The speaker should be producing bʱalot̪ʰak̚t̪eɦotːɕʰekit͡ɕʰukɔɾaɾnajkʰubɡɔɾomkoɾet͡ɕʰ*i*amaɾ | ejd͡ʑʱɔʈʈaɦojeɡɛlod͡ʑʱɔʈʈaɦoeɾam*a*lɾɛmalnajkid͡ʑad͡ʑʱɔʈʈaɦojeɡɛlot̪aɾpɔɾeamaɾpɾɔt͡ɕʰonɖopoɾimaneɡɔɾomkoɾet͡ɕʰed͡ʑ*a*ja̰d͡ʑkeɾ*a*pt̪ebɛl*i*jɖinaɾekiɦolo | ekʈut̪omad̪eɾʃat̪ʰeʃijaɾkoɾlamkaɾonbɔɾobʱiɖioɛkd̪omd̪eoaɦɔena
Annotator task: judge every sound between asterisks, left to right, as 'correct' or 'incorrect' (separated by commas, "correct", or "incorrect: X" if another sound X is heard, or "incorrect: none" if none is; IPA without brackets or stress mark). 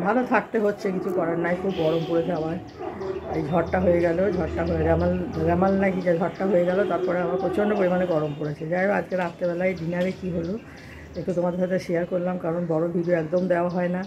incorrect: e, correct, correct, correct, incorrect: a